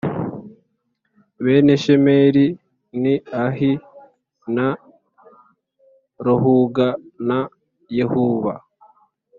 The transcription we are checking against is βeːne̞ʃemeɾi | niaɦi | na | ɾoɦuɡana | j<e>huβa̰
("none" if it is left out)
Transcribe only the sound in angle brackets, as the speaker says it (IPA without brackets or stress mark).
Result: e